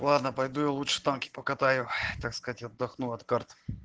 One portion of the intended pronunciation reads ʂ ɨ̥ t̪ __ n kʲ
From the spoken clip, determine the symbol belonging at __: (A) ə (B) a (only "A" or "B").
B